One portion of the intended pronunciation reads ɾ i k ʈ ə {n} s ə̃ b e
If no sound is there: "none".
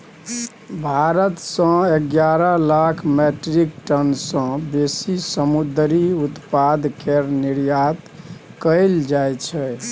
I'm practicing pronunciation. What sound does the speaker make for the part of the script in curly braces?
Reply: n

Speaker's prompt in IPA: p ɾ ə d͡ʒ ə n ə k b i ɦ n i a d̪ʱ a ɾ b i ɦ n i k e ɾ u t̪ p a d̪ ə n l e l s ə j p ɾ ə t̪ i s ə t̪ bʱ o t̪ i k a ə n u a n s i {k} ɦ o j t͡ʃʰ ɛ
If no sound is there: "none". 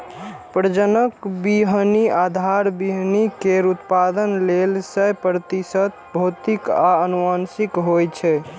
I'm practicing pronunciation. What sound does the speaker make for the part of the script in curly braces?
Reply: k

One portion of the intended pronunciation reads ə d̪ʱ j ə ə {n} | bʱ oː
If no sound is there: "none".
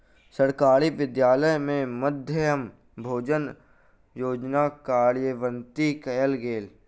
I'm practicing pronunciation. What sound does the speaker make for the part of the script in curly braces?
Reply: m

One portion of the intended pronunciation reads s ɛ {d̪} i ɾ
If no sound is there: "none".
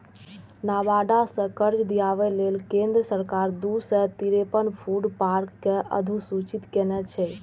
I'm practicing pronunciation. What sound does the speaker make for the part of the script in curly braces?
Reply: t̪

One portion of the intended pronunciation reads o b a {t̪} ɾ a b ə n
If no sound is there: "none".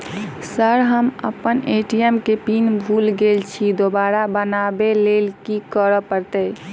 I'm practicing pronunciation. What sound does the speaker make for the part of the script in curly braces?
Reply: none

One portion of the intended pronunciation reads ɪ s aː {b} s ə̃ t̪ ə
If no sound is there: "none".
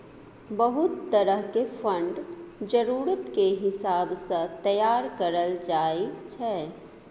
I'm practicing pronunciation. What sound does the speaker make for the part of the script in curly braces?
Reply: b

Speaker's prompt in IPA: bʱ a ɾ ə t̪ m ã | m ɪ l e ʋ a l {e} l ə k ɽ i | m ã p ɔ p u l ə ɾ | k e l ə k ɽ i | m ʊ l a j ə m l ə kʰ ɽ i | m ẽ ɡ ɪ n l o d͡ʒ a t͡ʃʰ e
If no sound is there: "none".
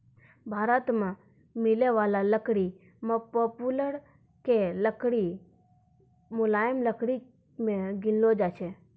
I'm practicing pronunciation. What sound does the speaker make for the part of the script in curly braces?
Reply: a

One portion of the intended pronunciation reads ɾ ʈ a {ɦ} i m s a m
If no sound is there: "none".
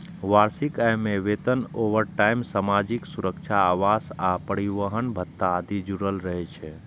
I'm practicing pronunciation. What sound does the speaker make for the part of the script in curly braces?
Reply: none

